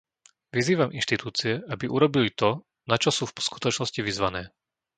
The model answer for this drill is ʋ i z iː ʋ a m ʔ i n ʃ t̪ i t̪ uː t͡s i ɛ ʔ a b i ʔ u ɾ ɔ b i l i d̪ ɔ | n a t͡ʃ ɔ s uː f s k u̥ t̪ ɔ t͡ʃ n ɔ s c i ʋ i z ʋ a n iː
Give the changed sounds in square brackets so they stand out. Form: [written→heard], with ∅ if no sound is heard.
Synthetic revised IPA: ʋ i z iː ʋ a m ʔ i n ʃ t̪ i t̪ uː t͡s i ɛ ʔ a b i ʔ u ɾ ɔ b i l i [d̪→t̪] ɔ | n a t͡ʃ ɔ s uː f s k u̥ t̪ ɔ t͡ʃ n ɔ s c i ʋ i z ʋ a n [iː→ɛː]